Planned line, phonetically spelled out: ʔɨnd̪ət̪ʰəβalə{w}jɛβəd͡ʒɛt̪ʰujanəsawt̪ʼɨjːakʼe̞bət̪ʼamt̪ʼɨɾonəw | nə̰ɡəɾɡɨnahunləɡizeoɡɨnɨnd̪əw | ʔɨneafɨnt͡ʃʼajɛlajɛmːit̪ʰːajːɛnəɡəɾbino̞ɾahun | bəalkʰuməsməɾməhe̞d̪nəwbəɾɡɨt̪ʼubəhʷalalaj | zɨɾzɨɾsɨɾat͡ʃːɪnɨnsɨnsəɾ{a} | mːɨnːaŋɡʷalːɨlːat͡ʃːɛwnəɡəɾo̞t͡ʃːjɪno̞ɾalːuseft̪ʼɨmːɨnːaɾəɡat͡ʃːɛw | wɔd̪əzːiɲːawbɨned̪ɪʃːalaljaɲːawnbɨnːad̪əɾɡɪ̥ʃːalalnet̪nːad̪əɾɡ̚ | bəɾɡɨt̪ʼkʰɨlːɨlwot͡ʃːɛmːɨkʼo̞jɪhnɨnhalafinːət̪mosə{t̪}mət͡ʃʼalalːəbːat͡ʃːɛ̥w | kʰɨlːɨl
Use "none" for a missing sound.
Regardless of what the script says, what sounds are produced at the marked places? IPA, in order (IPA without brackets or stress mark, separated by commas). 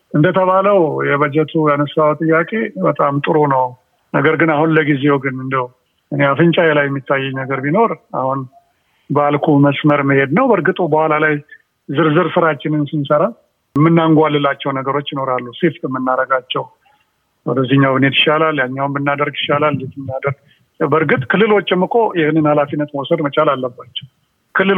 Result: w, a, d̪